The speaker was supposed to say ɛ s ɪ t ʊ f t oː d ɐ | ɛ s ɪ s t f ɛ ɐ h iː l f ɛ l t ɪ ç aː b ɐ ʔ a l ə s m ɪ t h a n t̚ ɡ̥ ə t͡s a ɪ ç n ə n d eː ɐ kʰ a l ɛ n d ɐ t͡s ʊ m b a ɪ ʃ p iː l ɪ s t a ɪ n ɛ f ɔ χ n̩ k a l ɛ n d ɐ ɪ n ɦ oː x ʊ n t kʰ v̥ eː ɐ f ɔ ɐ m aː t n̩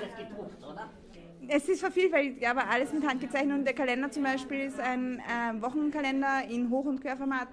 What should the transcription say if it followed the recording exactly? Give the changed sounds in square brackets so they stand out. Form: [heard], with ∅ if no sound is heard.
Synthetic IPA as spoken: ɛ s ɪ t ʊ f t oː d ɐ | ɛ s ɪ s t f ɛ ɐ [f] iː l f ɛ l t ɪ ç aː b ɐ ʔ a l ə s m ɪ t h a n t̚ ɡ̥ ə t͡s a ɪ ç n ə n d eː ɐ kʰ a l ɛ n d ɐ t͡s ʊ m b a ɪ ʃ p iː l ɪ s t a ɪ n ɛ [v] ɔ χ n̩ k a l ɛ n d ɐ ɪ n ɦ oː x ʊ n t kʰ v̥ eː ɐ f ɔ ɐ m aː t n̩

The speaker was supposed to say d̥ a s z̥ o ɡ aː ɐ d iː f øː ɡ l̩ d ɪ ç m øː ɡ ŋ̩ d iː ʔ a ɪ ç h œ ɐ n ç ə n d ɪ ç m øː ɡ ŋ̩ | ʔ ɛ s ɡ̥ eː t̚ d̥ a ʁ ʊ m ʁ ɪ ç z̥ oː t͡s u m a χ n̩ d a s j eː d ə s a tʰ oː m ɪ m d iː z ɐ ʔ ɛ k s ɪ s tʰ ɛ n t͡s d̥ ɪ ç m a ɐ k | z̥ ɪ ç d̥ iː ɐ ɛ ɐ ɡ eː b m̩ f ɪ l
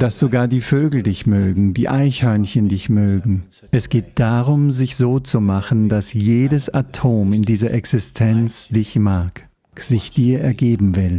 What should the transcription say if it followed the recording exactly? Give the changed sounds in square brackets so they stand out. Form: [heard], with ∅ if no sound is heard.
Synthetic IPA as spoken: d̥ a s z̥ o ɡ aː ɐ d iː f øː ɡ l̩ d ɪ ç m øː ɡ ŋ̩ d iː ʔ a ɪ ç h œ ɐ n ç ə n d ɪ ç m øː ɡ ŋ̩ | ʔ ɛ s ɡ̥ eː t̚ d̥ a ʁ ʊ m [z] ɪ ç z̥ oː t͡s u m a χ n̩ d a s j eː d ə s a tʰ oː m ɪ [n] d iː z ɐ ʔ ɛ k s ɪ s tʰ ɛ n t͡s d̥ ɪ ç m a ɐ k | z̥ ɪ ç d̥ iː ɐ ɛ ɐ ɡ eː b m̩ [v] ɪ l

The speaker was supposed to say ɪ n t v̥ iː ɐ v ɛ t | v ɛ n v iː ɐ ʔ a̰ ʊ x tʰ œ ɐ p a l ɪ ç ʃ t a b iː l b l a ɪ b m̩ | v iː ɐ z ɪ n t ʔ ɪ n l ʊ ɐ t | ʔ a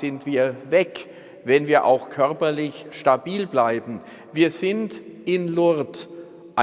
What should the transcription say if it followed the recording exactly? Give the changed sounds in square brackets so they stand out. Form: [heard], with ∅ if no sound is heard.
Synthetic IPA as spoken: ɪ n t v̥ iː ɐ v ɛ [k] | v ɛ n v iː ɐ ʔ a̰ ʊ x [kʰ] œ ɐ p [ɐ] l ɪ ç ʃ t a b iː l b l a ɪ b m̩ | v iː ɐ z ɪ n t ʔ ɪ n l ʊ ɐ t | ʔ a

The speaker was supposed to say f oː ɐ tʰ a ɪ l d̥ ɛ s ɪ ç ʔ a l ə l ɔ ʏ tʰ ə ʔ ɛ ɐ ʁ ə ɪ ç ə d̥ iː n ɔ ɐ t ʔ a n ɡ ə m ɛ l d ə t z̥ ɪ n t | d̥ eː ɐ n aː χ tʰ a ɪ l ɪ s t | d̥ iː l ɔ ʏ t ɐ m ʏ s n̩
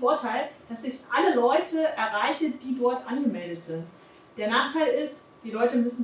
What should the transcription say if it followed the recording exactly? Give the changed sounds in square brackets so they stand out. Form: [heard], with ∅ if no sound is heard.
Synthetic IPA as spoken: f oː ɐ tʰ a ɪ l d̥ [a] s ɪ ç ʔ a l ə l ɔ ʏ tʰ ə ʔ ɛ ɐ ʁ [a] ɪ ç ə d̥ iː [d] ɔ ɐ t ʔ a n ɡ ə m ɛ l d ə t z̥ ɪ n t | d̥ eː ɐ n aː χ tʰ a ɪ l ɪ s t | d̥ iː l ɔ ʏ t [ə] m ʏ s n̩

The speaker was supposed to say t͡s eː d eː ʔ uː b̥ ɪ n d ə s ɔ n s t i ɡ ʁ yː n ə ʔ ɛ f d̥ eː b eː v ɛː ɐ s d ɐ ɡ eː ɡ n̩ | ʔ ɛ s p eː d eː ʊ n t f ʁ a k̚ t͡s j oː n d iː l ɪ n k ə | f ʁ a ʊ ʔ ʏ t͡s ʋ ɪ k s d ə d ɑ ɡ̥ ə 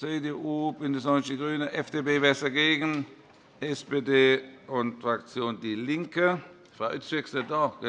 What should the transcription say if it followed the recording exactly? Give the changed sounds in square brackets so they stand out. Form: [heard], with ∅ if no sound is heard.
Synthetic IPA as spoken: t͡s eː d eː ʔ uː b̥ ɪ n d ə s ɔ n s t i ɡ ʁ yː n ə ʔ ɛ f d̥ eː b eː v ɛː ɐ s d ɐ ɡ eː ɡ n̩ | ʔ ɛ s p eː d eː ʊ n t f ʁ a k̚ t͡s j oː n d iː l ɪ [ŋ] k ə | f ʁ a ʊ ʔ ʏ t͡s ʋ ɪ k s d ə d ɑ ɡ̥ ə

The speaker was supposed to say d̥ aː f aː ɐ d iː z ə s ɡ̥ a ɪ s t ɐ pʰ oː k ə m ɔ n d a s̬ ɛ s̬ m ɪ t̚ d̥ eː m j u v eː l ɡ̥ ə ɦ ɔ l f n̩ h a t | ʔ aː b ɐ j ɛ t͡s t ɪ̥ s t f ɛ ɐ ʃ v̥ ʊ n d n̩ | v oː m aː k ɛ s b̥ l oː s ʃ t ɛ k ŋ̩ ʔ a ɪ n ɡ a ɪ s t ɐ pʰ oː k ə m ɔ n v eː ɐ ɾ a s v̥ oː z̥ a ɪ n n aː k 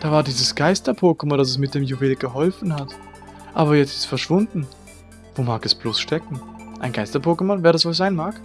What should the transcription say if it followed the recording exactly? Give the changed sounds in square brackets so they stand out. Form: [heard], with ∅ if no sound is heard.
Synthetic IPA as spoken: d̥ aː [v] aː ɐ d iː z ə s ɡ̥ a ɪ s t ɐ pʰ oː k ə m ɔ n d a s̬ ɛ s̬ m ɪ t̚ d̥ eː m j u v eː l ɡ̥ ə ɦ ɔ l f n̩ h a t | ʔ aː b ɐ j ɛ t͡s t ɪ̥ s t f ɛ ɐ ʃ v̥ ʊ n d n̩ | v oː m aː k ɛ s b̥ l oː s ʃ t ɛ k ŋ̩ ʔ a ɪ n ɡ a ɪ s t ɐ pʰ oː k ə m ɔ n v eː ɐ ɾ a s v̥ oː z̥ a ɪ n [m] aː k

